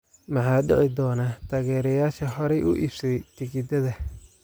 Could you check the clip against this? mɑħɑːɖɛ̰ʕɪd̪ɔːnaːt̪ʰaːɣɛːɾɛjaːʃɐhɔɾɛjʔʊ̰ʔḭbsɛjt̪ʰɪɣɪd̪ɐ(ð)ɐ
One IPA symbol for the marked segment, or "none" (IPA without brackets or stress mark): ð